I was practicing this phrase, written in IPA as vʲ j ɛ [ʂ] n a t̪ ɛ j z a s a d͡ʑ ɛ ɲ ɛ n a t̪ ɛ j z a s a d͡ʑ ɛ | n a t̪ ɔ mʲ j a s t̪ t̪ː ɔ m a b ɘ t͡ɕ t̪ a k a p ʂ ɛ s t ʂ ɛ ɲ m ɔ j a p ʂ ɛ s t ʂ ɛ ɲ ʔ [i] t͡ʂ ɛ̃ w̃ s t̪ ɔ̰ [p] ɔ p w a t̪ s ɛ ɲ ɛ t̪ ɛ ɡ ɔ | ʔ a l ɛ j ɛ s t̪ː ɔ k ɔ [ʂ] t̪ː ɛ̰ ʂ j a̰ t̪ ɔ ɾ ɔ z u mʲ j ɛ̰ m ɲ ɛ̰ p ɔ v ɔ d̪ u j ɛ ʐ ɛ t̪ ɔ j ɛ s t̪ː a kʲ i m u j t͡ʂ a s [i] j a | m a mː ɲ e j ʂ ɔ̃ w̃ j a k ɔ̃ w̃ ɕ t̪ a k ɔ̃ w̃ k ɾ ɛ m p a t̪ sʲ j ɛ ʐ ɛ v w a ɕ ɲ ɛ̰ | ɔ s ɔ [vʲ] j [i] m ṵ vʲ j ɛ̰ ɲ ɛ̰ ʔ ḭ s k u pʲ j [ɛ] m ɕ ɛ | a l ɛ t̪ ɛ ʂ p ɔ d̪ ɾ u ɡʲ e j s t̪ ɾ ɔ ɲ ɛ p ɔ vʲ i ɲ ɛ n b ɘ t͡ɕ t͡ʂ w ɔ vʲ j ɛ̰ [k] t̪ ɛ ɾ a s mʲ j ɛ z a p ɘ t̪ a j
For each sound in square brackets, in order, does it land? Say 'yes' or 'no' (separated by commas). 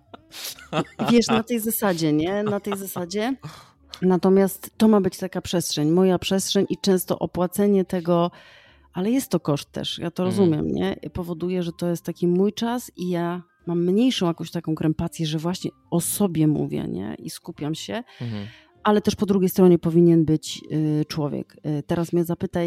yes, yes, no, yes, yes, no, no, no, yes